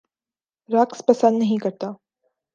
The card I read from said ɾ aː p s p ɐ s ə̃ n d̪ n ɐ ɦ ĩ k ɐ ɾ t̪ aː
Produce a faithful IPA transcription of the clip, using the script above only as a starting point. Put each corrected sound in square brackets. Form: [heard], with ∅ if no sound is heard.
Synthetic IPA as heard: ɾ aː [k] s p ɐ s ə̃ n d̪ n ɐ ɦ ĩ k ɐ ɾ t̪ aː